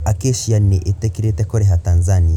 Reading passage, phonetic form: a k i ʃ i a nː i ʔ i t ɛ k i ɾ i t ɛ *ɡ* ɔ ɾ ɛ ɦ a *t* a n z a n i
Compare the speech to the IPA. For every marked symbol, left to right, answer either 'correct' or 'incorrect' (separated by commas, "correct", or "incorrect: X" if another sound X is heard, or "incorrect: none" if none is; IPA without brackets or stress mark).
incorrect: k, correct